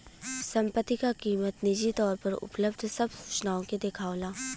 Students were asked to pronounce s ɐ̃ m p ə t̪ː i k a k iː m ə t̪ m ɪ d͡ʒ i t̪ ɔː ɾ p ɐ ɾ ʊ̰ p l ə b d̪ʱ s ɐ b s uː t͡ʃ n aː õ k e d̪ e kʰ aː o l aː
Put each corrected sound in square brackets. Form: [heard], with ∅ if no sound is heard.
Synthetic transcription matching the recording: s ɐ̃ m p ə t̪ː i k a k iː m ə t̪ [n] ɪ d͡ʒ i t̪ ɔː ɾ p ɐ ɾ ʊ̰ p l ə b d̪ʱ s ɐ b s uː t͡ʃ n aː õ k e d̪ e kʰ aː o l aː